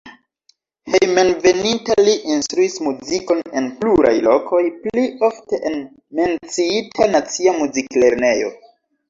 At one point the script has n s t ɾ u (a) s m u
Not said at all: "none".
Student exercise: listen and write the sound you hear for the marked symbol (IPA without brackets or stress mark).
i